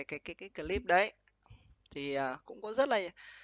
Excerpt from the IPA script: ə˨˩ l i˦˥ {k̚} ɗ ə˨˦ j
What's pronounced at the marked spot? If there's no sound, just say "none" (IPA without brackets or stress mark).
p̚